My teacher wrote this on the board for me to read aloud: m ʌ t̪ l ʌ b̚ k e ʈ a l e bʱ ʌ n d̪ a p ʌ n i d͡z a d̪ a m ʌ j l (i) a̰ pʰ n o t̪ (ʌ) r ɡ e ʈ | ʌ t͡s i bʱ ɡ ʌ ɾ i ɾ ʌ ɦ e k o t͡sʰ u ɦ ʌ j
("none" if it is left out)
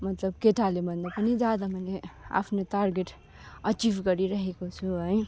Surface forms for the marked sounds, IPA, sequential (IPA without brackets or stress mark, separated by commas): e, a